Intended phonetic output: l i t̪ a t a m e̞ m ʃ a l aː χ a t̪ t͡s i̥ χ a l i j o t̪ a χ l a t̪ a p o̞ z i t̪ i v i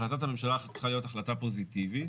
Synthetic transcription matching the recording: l a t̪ a t a m e̞ m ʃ a l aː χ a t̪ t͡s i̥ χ a l i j o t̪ a χ l a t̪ a p o̞ z i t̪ i v i